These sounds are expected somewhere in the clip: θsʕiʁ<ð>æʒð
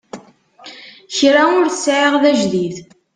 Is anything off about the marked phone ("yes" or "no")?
no